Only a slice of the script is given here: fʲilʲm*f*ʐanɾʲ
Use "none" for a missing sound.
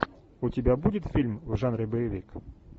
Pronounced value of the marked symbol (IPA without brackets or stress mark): v